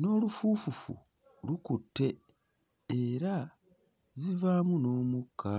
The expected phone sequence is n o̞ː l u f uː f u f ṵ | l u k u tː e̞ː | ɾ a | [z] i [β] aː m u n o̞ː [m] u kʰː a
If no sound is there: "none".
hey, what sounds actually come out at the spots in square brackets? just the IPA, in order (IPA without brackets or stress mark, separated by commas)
z, v, m